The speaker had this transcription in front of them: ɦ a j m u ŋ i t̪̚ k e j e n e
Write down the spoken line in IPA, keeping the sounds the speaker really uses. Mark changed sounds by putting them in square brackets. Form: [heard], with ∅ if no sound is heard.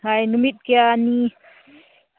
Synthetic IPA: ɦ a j [n] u [m] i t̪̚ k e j [a] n [i]